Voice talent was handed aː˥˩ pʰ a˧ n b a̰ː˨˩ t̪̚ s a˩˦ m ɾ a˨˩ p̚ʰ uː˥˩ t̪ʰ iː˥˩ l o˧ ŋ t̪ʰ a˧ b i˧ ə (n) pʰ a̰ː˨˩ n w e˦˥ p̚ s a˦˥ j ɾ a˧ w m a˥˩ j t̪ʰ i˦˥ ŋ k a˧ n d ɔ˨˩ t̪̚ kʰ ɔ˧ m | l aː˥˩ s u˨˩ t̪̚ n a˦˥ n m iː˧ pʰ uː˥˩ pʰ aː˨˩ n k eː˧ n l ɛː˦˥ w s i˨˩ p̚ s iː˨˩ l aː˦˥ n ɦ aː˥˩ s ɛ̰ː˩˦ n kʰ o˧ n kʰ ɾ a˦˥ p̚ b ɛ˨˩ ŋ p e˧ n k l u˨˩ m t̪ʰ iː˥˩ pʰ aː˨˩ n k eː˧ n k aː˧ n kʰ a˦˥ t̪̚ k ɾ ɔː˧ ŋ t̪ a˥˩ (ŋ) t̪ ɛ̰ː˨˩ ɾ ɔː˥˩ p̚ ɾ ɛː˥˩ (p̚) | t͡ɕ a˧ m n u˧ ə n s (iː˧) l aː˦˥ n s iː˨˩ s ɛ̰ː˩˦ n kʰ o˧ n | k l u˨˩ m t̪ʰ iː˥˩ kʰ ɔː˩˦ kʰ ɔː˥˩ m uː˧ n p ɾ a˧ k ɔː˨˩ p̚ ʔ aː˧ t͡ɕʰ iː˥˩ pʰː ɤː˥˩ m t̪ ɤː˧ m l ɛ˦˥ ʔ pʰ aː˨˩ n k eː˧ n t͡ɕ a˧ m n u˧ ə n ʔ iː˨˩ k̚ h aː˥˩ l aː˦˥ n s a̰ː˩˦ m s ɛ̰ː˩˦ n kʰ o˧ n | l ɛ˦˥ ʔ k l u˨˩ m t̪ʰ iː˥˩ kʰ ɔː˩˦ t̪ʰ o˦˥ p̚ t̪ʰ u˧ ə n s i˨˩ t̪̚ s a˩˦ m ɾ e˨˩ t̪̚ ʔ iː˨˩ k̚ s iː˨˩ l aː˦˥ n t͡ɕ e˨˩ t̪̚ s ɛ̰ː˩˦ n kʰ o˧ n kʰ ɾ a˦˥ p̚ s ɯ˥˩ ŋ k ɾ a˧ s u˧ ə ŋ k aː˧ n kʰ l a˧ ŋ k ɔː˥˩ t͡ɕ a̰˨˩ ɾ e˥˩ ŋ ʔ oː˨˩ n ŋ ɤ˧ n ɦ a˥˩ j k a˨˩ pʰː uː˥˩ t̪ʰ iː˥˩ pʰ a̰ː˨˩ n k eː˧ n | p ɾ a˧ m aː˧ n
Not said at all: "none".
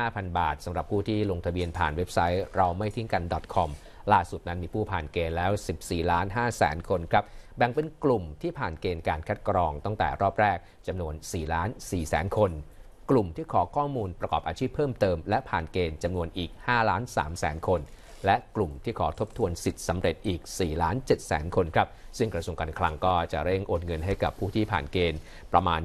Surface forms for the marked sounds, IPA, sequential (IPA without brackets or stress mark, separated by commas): n, ŋ, k̚, iː˨˩